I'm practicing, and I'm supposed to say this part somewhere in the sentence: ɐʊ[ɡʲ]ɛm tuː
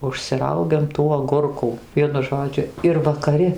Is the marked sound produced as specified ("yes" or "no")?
yes